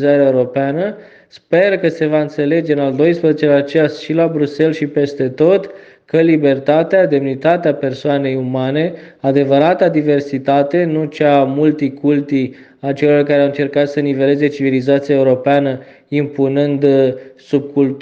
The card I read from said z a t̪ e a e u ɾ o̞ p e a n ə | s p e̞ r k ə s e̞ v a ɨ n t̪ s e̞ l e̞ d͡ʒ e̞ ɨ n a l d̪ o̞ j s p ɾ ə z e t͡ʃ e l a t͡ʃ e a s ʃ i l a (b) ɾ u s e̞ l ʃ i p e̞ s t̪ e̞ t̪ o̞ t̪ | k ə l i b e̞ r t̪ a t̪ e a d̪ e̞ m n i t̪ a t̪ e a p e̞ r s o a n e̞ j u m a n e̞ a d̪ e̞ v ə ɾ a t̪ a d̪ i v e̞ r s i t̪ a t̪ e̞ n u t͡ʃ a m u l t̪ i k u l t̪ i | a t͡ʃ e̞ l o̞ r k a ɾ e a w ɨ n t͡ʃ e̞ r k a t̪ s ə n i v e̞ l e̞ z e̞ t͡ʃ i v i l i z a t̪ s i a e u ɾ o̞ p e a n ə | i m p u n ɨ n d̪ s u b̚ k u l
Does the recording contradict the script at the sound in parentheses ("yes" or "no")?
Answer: no